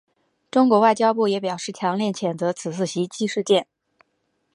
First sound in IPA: ʈ͡ʂ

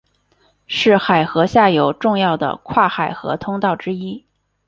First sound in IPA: ʂ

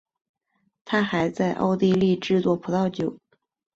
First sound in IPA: t̪ʰ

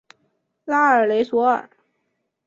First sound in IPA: l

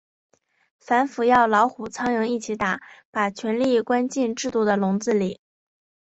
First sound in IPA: f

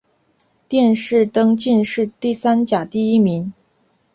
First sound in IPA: t̪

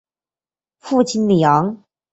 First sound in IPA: f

